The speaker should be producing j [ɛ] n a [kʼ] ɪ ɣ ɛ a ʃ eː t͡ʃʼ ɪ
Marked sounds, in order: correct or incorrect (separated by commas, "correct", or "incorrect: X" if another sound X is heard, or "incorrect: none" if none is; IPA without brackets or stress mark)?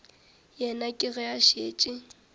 correct, correct